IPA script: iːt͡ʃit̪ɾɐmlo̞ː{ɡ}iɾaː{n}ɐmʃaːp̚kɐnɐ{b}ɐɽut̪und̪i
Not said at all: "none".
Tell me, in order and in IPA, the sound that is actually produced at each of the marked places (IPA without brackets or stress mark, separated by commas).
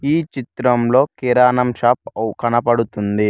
k, n, p